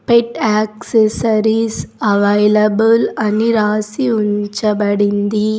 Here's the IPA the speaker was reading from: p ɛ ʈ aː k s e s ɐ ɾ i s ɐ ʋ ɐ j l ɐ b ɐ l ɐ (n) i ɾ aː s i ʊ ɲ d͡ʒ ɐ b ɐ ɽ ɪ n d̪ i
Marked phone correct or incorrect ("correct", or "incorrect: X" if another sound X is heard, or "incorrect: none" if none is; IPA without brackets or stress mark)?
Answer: correct